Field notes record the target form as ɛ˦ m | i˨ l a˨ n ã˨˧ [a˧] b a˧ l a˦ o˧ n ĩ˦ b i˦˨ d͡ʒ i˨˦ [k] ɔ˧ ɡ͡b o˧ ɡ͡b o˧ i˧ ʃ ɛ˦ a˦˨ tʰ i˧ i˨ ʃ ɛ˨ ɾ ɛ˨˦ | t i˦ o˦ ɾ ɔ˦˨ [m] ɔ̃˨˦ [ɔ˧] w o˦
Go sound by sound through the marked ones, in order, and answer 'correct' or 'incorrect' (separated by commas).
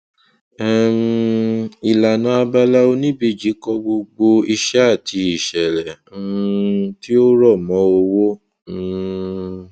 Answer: correct, correct, correct, incorrect